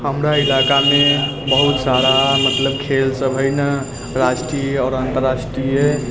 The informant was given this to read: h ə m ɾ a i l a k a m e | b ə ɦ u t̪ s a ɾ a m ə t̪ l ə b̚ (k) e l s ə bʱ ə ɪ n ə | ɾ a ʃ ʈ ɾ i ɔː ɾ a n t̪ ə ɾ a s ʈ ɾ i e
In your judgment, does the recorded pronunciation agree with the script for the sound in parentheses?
no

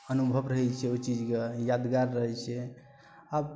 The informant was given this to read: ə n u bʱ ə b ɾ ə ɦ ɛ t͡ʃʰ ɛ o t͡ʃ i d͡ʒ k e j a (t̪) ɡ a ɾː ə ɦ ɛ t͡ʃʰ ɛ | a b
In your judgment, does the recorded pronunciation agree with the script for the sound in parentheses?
no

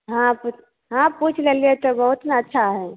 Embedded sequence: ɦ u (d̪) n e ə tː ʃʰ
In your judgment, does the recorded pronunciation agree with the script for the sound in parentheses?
no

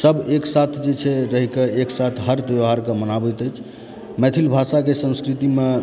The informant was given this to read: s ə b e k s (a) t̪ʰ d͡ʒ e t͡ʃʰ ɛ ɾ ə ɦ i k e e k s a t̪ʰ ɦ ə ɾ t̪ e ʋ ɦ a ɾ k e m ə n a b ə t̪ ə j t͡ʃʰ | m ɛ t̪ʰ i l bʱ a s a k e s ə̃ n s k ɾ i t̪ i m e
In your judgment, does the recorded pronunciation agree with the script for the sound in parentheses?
yes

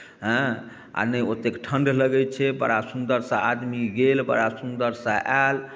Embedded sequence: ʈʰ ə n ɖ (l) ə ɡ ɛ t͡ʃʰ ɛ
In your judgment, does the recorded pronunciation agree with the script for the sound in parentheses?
yes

